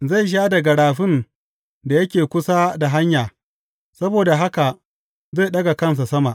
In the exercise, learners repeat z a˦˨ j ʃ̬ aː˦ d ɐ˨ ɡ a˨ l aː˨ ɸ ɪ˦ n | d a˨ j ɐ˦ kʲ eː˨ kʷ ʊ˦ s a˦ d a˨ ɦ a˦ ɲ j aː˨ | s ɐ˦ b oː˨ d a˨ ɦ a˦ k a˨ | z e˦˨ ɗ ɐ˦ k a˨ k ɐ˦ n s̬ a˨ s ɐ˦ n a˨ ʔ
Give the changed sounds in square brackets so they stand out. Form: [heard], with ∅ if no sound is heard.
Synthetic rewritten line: z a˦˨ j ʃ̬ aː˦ d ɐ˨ ɡ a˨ [ɽ] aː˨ ɸ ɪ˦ n | d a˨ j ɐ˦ kʲ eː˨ kʷ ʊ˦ s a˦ d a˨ ɦ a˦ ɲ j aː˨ | s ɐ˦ b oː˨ d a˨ ɦ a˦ k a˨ | z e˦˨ ɗ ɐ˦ [ɡ] a˨ k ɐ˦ n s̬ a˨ s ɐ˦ [m] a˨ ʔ